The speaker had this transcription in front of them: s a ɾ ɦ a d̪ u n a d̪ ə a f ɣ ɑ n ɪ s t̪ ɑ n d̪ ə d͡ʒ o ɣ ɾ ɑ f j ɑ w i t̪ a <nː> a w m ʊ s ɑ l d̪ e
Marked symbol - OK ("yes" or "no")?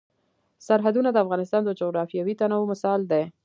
no